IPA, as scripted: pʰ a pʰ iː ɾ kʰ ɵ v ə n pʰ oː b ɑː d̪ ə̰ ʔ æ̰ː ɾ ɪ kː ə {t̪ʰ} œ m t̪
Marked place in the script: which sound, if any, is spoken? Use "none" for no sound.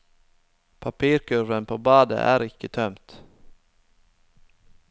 t̪ʰ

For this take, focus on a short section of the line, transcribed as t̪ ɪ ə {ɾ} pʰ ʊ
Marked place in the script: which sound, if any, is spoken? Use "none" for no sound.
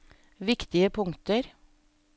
none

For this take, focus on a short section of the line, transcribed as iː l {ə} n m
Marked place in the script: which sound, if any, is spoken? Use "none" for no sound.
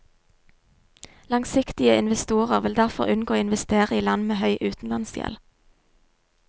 ɑ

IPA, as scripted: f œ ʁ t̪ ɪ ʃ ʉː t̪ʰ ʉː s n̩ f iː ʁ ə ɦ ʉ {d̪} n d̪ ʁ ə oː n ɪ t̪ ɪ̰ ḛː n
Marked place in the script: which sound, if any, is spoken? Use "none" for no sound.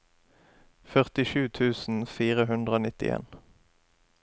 none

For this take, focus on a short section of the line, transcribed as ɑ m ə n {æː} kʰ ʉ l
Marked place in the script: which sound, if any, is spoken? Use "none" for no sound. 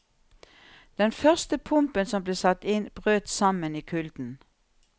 iː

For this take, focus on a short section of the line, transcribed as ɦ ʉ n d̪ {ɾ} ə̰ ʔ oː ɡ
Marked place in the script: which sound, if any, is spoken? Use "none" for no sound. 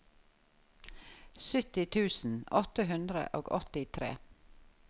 ɾ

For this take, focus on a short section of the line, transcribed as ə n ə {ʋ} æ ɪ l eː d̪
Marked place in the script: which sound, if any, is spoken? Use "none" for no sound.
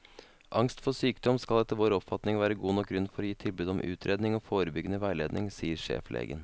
ʋ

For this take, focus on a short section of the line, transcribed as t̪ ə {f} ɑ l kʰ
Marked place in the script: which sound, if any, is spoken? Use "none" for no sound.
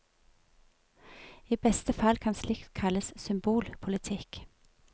f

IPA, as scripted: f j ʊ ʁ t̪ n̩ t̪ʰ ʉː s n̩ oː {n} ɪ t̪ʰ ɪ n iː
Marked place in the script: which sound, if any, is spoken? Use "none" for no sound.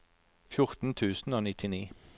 n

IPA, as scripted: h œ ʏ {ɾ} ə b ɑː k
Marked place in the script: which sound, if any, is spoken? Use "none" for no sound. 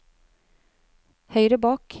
ɾ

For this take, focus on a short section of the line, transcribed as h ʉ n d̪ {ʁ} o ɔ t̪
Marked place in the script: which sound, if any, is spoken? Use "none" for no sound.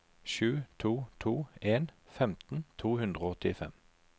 ʁ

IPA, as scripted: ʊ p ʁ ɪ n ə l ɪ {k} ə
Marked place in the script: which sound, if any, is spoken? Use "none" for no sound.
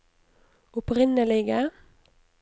ɡ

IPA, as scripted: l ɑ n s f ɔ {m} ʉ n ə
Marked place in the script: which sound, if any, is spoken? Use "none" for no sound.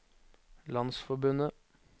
b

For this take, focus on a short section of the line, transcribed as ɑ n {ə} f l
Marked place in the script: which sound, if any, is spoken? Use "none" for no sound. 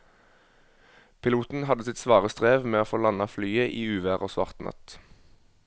ɑ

